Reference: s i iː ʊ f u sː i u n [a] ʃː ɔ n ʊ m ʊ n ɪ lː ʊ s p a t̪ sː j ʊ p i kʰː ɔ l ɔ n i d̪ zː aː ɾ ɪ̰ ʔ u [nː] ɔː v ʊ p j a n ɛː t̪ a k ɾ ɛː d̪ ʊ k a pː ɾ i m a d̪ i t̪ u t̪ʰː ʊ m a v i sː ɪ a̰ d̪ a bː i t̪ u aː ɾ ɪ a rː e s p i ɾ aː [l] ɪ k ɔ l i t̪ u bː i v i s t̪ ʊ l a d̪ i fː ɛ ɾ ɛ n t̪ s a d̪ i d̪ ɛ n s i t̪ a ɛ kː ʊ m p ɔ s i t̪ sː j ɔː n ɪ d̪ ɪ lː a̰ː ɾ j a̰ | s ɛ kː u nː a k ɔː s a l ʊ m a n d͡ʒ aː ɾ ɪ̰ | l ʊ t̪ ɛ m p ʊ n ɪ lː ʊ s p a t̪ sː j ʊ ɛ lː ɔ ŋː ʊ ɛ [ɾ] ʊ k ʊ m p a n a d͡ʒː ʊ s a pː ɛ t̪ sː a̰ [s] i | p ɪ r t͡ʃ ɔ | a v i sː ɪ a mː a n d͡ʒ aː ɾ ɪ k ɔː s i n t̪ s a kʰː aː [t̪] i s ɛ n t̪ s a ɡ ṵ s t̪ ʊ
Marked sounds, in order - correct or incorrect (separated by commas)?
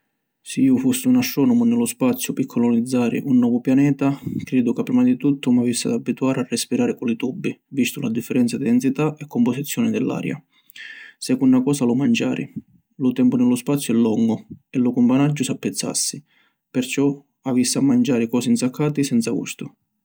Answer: correct, correct, incorrect, incorrect, incorrect, correct